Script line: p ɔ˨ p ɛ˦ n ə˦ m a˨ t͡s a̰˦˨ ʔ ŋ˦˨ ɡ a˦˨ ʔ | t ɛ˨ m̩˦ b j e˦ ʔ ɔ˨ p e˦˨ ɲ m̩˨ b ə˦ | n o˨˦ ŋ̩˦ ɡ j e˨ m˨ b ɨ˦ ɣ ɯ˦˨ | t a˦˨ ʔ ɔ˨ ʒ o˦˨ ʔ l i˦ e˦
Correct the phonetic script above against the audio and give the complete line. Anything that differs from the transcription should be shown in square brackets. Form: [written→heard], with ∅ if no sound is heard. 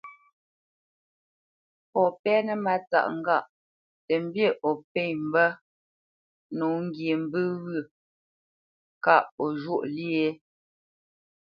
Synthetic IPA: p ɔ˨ p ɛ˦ n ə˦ m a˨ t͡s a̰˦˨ ʔ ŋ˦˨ ɡ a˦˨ ʔ | t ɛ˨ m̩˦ b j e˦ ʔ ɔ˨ p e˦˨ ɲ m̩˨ b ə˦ | n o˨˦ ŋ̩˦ ɡ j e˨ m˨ b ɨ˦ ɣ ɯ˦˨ | [t→k] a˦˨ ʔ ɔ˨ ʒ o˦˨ ʔ l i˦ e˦